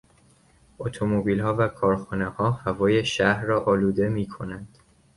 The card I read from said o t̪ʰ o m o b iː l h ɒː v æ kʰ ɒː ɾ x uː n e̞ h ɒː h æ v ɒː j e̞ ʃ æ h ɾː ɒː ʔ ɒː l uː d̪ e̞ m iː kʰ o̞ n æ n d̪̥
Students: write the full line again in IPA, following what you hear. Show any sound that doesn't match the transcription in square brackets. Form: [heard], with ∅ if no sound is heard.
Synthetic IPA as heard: o t̪ʰ o m o b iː l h ɒː v æ kʰ ɒː ɾ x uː n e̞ h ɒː h æ v ɒː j e̞ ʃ æ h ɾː ɒː ʔ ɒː l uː d̪ e̞ m iː kʰ o̞ n æ n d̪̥

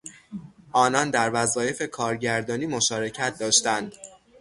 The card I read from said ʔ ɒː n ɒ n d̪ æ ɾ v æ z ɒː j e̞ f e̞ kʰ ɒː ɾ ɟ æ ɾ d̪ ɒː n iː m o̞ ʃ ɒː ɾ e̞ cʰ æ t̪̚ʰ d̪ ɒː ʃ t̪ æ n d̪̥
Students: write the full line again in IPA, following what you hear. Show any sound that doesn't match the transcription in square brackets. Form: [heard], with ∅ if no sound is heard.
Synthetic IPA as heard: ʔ ɒː n ɒ n d̪ æ ɾ v æ z ɒː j e̞ f e̞ kʰ ɒː ɾ ɟ æ ɾ d̪ ɒː n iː m o̞ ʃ ɒː ɾ e̞ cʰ æ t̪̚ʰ d̪ ɒː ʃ t̪ æ n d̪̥

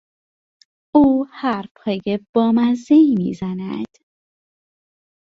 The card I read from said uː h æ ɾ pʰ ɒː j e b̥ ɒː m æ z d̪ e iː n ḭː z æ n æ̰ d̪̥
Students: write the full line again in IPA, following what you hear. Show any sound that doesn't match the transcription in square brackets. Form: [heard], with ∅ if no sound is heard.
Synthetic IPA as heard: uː h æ ɾ pʰ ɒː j e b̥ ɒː m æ z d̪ e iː [m] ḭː z æ n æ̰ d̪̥

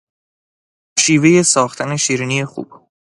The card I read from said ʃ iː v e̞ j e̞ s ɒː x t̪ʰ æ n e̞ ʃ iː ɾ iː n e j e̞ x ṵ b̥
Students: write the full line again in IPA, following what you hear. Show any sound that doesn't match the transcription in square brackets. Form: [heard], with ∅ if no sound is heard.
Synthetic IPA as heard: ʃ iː v e̞ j e̞ s ɒː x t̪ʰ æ n e̞ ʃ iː ɾ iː n [i] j e̞ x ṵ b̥

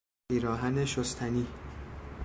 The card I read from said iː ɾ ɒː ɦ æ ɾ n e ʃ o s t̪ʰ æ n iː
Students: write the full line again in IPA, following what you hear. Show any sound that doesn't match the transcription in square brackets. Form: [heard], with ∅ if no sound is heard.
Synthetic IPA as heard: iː ɾ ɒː ɦ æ [∅] n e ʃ o s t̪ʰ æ n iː

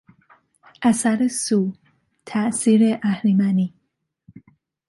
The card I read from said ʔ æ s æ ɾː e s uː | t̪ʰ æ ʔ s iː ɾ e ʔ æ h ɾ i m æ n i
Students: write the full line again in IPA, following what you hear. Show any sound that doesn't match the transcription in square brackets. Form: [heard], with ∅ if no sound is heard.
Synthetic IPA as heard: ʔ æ s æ [ɾ] e s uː | t̪ʰ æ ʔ s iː ɾ e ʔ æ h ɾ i m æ n i

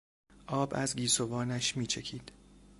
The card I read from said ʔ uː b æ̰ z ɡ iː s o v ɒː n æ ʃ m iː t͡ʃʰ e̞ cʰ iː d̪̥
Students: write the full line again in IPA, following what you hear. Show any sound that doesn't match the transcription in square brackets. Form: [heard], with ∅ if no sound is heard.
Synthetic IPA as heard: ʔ [ɒː] b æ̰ z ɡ iː s o v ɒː n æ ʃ m iː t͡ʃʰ e̞ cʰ iː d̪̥

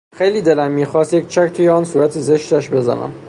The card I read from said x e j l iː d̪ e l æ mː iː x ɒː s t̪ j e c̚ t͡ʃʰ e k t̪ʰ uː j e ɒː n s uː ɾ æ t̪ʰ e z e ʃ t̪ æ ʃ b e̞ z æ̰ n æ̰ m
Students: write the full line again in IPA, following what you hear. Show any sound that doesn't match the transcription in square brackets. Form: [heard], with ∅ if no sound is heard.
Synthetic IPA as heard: x e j l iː d̪ e l æ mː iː x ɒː s t̪ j e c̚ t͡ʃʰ [æ] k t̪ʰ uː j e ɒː n s uː ɾ æ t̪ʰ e z e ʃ t̪ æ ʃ b e̞ z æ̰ n æ̰ m

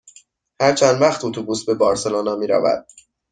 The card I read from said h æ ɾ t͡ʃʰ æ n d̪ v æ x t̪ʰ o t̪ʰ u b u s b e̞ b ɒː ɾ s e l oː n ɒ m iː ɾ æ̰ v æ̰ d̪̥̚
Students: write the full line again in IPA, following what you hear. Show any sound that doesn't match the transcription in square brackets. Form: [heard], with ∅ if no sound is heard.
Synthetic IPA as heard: h æ ɾ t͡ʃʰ æ n d̪ v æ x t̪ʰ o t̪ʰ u b u s b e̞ b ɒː ɾ s e l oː n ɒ m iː ɾ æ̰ v æ̰ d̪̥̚

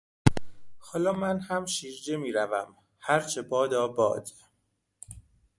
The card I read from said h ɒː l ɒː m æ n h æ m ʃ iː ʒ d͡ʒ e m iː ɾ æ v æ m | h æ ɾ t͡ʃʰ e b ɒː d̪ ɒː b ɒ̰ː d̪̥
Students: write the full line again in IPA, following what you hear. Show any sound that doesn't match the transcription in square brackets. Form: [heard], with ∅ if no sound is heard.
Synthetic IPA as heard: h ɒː l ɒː m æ n h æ m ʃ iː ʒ d͡ʒ e m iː ɾ æ v æ m | h æ ɾ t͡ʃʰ e b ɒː d̪ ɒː b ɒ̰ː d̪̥

